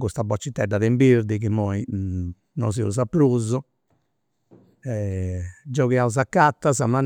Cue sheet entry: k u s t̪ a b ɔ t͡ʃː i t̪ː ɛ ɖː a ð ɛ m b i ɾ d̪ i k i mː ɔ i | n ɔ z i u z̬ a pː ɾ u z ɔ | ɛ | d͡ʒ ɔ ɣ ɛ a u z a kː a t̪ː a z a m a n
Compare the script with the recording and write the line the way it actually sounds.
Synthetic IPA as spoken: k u s t̪ a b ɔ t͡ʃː i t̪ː ɛ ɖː a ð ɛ m b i ɾ d̪ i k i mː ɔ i | n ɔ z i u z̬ a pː ɾ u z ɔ | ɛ | d͡ʒ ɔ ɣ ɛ a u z a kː a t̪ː a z a m a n